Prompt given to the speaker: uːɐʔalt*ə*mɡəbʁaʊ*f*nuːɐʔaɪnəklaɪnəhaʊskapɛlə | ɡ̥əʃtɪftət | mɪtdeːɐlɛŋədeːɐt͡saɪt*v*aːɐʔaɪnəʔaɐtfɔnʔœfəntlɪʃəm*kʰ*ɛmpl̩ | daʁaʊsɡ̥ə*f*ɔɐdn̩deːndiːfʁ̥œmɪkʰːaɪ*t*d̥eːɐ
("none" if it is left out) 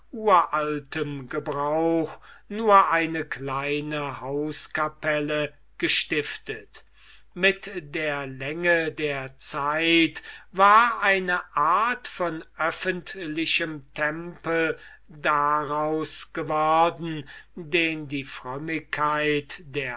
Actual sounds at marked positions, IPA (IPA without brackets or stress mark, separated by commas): ə, x, v, tʰ, v, t